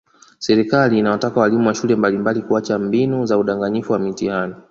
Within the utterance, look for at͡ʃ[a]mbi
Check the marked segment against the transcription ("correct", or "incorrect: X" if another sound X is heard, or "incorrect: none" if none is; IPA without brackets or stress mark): correct